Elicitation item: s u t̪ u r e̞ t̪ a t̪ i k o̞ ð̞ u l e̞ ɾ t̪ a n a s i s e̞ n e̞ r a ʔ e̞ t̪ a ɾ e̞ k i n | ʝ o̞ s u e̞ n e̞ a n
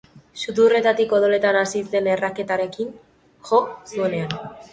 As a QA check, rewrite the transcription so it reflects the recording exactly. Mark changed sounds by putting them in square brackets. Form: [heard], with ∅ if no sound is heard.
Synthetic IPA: s u t̪ u r e̞ t̪ a t̪ i k o̞ ð̞ [o] l e̞ [∅] t̪ a n a s i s e̞ n e̞ r a [k] e̞ t̪ a ɾ e̞ k i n | ʝ o̞ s u e̞ n e̞ a n

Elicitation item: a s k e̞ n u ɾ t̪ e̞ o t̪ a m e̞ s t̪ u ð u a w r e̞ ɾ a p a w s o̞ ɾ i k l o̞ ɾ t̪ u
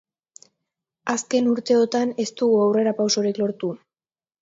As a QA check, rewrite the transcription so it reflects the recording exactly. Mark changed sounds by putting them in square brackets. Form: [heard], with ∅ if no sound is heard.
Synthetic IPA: a s k e̞ n u ɾ t̪ e̞ o t̪ a [n] e̞ s t̪ u [ɣ] u a w r e̞ ɾ a p a w s o̞ ɾ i k l o̞ ɾ t̪ u

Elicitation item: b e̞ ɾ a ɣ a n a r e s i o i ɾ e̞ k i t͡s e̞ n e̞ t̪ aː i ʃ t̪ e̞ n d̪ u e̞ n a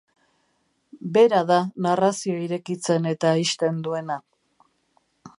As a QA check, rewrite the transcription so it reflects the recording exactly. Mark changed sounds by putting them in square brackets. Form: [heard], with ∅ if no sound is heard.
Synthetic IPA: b e̞ ɾ a [ð] a n a r [a] s i o i ɾ e̞ k i t͡s e̞ n e̞ t̪ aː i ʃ t̪ e̞ n d̪ u e̞ n a

